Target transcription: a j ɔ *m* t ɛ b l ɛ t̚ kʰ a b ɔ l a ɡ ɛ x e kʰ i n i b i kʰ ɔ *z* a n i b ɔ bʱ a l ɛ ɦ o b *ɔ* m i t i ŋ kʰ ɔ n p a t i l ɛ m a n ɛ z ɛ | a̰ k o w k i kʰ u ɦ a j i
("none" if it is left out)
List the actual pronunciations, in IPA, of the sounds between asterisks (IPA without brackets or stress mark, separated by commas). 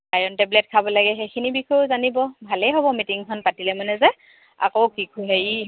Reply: n, z, ɔ